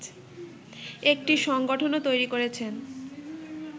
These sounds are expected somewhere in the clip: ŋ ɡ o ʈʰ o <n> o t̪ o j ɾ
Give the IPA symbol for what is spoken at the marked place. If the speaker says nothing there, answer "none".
n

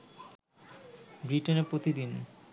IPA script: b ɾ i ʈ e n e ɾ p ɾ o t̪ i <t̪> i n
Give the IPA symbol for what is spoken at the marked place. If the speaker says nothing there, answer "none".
d̪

